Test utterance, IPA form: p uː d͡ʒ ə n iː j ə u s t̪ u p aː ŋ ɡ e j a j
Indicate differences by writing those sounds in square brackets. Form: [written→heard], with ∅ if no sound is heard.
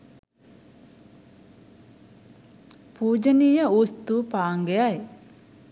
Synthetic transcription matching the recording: p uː d͡ʒ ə n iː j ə u s t̪ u p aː ŋ ɡ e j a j